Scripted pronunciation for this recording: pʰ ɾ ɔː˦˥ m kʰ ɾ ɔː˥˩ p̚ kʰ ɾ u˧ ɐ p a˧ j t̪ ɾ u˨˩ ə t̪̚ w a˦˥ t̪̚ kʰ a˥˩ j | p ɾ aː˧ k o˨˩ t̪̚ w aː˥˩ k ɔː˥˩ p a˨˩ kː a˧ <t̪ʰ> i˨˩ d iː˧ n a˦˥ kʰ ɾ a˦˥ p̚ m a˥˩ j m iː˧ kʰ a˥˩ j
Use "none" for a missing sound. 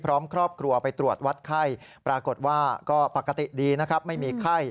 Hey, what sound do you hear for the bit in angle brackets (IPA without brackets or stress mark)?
t̪